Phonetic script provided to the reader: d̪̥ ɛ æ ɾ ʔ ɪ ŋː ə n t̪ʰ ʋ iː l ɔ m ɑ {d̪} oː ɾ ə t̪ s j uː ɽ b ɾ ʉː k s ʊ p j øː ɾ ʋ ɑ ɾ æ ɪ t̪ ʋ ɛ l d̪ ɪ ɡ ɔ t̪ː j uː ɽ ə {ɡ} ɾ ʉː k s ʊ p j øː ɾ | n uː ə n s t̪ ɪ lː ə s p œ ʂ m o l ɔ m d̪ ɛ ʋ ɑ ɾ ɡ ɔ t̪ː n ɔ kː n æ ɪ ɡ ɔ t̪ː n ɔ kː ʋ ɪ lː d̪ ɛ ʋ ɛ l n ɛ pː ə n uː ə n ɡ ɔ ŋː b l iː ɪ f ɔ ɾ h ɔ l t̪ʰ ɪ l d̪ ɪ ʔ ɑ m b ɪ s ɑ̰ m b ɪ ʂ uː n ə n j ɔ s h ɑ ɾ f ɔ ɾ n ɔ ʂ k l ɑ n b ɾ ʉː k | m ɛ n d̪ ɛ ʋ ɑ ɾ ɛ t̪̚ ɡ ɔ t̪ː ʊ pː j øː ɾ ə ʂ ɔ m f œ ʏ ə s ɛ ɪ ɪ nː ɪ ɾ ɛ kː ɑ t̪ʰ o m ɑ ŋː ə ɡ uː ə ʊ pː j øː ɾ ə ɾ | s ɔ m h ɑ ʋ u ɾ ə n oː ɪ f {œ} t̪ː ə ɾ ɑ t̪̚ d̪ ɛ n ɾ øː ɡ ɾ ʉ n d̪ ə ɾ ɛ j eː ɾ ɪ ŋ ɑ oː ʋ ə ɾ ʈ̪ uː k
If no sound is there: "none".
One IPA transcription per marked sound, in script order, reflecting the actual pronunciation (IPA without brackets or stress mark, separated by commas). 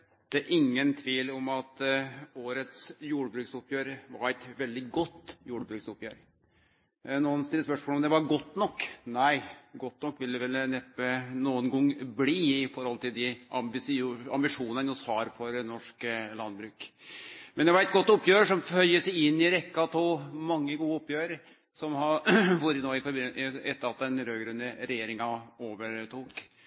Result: t̪, b, ɛ